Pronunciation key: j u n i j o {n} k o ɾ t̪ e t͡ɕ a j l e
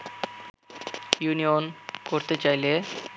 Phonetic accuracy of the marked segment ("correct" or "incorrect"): correct